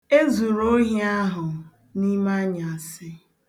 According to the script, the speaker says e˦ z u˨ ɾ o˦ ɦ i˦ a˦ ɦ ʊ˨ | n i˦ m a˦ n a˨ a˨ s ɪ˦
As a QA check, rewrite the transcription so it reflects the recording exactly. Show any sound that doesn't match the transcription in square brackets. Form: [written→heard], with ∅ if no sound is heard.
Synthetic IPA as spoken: e˦ z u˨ ɾ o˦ ɦ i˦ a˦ ɦ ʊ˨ | n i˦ m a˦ [n→ɲ] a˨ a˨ s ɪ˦